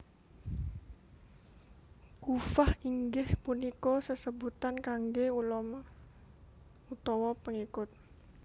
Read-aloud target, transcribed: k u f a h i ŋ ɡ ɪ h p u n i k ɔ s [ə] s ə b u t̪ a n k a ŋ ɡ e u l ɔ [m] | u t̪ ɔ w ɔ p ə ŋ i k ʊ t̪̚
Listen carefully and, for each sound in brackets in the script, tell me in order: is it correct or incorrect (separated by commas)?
correct, correct